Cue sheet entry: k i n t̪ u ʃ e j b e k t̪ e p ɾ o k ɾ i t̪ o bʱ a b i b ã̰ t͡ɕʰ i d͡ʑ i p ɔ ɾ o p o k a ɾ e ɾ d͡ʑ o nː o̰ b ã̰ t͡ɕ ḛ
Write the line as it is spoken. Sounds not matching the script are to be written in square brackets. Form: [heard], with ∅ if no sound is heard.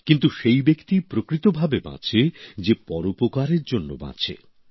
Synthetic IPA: k i n t̪ u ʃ e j b e k t̪ [i] p ɾ o k ɾ i t̪ o bʱ a b [e] b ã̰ t͡ɕʰ [e] d͡ʑ [e] p ɔ ɾ o p o k a ɾ e ɾ d͡ʑ o nː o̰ b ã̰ [t͡ɕʰ] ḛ

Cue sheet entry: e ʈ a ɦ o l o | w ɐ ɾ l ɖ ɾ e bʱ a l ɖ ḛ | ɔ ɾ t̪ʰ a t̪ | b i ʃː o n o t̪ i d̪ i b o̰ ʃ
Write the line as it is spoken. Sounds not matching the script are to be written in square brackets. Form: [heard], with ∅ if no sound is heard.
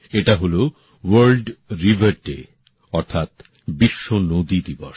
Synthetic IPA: e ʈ a ɦ o l o | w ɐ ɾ l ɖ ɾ [i] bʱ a [ɾ] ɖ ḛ | ɔ ɾ t̪ʰ a t̪ | b i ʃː o n o [d̪] i d̪ i b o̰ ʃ

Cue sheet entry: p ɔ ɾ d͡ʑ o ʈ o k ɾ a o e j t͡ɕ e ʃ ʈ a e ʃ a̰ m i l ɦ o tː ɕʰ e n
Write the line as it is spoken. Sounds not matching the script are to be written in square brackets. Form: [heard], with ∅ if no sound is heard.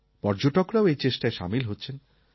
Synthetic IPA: p ɔ ɾ d͡ʑ o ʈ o k ɾ a o e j t͡ɕ e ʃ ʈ a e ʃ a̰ m i l ɦ o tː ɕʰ e n

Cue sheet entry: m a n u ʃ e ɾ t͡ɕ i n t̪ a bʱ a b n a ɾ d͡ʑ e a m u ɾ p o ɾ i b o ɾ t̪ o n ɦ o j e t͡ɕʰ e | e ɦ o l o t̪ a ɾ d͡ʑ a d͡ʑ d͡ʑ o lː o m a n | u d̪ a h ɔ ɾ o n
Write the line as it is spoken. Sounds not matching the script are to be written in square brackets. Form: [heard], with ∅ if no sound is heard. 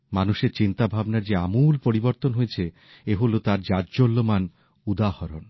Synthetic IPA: m a n u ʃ e ɾ t͡ɕ i n t̪ a bʱ a b n a ɾ d͡ʑ e a m u [l] p o ɾ i b o ɾ t̪ o n ɦ o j e t͡ɕʰ e | e ɦ o l o t̪ a ɾ d͡ʑ a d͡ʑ d͡ʑ o lː o m a n | u d̪ a h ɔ ɾ o n

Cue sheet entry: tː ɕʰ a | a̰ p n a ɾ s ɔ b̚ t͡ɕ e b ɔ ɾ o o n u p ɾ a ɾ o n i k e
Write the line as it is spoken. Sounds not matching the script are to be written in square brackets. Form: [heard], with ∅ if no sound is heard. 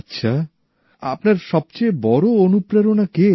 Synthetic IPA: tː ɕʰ a | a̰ p n a ɾ [ʃ] ɔ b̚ t͡ɕ e b ɔ ɾ o o n u p ɾ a ɾ o n [a] k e

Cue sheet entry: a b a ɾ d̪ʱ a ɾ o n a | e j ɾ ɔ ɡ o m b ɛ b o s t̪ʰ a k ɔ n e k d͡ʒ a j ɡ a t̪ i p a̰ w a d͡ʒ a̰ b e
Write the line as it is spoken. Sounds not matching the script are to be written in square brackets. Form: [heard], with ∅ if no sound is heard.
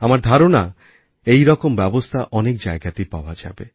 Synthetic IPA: a [m] a ɾ d̪ʱ a ɾ o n a | e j ɾ ɔ [k] o m b ɛ b o s t̪ʰ a [ʔ] ɔ n e k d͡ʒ a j ɡ a t̪ i p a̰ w a d͡ʒ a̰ b e

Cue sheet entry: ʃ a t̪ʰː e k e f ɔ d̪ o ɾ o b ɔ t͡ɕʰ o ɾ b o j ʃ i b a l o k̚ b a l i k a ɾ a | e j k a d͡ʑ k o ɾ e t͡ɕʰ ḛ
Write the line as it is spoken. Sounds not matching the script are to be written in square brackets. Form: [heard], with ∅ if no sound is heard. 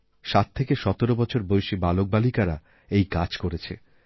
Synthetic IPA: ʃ a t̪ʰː e k e [ʃ] ɔ [t̪] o ɾ o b ɔ t͡ɕʰ o ɾ b o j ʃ i b a l o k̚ b a l i k a ɾ a | e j k a d͡ʑ k o ɾ e t͡ɕʰ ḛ

